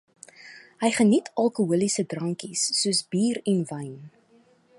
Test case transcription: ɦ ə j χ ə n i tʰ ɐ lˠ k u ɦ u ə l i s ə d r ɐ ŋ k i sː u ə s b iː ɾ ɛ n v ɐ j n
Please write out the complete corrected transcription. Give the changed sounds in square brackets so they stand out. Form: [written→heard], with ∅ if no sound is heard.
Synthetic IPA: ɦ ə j χ ə n i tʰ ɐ lˠ k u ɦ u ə l i s ə d r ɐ ŋ k i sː u ə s b iː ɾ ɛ n v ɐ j n